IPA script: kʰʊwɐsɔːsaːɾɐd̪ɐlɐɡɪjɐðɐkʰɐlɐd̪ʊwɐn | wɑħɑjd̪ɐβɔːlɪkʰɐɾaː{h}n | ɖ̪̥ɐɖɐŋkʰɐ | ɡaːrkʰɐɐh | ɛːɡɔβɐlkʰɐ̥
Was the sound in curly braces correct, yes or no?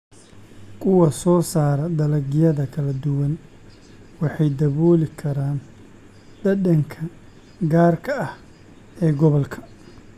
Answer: no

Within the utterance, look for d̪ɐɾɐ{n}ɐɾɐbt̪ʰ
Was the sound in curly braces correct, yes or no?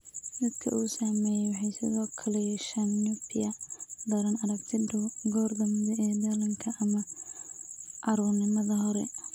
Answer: yes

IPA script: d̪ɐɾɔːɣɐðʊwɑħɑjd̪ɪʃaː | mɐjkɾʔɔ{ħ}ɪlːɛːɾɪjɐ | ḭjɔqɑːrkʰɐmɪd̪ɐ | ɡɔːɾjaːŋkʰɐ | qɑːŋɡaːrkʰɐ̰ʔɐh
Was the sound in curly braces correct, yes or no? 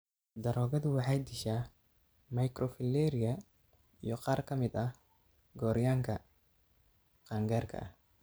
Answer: no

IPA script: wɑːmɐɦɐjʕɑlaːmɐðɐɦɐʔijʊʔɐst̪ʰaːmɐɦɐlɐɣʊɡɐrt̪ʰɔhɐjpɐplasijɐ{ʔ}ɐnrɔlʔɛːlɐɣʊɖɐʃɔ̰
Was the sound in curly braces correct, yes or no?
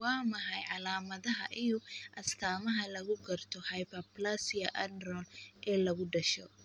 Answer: yes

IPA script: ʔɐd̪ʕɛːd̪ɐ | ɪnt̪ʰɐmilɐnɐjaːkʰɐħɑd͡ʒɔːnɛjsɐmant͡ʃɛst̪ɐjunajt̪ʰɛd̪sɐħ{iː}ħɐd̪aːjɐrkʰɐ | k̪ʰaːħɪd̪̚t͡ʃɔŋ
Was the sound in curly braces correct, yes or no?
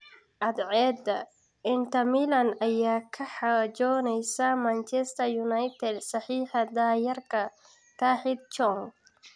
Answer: yes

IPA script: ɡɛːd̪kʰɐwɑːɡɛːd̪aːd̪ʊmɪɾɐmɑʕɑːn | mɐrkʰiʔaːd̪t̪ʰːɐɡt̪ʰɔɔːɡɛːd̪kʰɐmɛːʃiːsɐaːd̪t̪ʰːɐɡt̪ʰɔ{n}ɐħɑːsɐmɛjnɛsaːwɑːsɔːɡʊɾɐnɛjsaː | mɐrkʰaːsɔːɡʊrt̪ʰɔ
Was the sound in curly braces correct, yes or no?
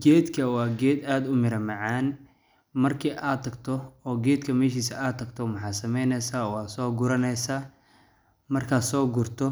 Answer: no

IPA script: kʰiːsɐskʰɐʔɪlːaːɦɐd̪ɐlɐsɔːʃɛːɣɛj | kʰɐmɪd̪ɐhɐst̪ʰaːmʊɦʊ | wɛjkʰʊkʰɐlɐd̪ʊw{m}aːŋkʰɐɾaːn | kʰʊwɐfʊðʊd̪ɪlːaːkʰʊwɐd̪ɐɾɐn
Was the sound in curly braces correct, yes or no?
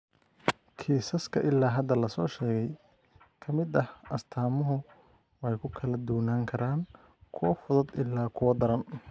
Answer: no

